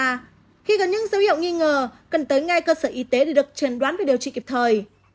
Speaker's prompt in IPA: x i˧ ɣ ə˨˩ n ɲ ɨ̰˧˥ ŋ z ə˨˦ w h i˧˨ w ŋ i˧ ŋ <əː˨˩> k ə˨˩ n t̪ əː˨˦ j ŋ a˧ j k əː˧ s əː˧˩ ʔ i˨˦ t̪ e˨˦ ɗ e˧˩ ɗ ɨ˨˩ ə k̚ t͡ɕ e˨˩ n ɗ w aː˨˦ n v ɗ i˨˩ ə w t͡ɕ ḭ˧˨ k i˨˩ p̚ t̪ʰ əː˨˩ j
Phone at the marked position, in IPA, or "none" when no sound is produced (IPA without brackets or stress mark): əː˨˩